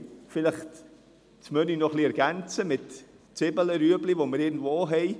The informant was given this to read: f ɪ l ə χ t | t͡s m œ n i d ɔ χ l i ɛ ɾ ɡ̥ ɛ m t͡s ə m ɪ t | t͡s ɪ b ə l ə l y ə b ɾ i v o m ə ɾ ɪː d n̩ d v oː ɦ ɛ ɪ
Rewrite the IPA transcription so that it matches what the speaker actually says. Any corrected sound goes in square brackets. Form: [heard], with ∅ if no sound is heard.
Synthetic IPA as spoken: f ɪ l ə χ t | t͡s m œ n i [n] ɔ χ l i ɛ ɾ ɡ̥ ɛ [n] t͡s ə m ɪ t | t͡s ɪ b ə l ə [ɾ] y ə b [l] i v o m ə ɾ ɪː [ɡ] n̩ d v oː ɦ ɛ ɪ